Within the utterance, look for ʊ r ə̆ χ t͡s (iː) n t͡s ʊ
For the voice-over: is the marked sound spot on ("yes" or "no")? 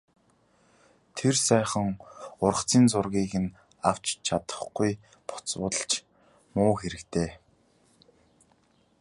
yes